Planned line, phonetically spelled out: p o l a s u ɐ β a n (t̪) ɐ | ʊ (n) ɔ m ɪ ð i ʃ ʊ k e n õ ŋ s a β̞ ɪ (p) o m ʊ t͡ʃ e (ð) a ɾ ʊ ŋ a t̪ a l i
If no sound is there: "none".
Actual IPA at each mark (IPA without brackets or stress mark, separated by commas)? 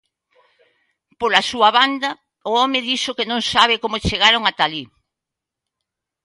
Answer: d̪, none, k, ɣ